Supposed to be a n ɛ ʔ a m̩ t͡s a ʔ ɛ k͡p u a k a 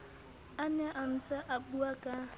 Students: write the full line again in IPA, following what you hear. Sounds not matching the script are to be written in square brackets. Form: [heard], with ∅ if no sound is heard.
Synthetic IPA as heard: a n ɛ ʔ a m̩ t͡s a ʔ [a] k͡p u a k a